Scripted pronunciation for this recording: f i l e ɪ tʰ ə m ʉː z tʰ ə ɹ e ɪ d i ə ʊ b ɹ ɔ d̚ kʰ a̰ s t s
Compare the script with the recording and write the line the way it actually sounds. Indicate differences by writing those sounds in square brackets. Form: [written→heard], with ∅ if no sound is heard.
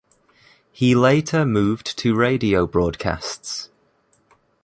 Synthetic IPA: [f→h] i l e ɪ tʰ ə m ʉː [z→v] tʰ ə ɹ e ɪ d i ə ʊ b ɹ [ɔ→ɔː] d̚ kʰ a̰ s t s